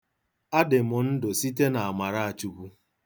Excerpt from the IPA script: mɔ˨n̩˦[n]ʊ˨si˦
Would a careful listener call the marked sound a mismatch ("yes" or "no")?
yes